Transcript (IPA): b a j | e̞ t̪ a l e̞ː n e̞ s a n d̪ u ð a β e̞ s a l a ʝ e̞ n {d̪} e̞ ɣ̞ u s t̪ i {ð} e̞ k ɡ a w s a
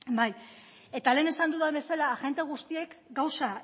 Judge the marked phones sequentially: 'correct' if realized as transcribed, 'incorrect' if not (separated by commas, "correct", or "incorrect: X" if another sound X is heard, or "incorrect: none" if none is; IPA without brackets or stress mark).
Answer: incorrect: t̪, incorrect: none